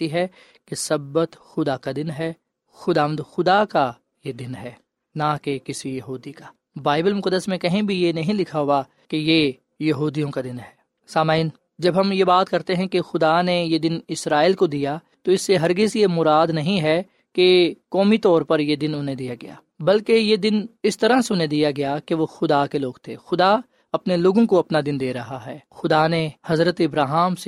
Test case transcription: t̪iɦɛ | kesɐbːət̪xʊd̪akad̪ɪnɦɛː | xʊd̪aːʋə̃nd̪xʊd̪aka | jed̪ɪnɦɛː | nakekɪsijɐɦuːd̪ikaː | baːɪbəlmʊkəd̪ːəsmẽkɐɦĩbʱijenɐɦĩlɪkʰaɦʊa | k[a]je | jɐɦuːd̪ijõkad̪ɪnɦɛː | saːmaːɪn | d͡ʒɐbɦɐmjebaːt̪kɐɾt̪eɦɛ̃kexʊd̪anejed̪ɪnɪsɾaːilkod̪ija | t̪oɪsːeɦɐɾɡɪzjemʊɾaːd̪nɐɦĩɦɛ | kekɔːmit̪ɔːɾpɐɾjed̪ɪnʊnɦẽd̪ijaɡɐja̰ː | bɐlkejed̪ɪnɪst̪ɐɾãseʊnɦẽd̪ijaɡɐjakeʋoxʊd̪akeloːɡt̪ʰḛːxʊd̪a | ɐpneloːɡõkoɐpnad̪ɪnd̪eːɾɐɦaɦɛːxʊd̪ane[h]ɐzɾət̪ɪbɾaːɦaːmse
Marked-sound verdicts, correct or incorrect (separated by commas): incorrect, correct